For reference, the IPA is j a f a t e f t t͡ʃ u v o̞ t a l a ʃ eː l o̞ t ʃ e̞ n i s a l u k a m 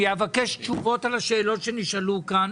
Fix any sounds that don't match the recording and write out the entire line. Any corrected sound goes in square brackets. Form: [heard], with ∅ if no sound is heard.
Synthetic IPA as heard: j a [v] a [k] e [ʃ] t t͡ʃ u v o̞ t a l a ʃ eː l o̞ t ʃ e̞ n i [ʃ] a l u k a [n]